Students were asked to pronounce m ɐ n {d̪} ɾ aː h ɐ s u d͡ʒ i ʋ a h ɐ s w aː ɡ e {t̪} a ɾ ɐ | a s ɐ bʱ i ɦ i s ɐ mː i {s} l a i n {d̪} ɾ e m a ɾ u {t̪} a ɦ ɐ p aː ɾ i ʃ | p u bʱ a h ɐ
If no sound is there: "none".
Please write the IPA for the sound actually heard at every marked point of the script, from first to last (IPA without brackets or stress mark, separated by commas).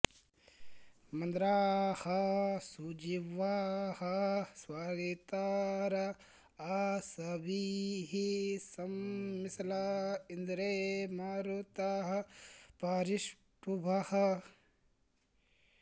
d̪, t̪, s, d̪, t̪